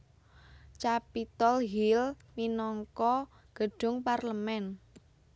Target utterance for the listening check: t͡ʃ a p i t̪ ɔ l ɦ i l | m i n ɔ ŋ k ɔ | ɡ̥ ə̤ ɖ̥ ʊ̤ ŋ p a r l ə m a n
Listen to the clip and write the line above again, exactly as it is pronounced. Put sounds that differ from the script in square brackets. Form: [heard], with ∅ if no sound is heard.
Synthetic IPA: t͡ʃ a p i t̪ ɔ l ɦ i l | m i n ɔ ŋ k ɔ | ɡ̥ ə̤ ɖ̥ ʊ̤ ŋ p a r l ə m [ɛ] n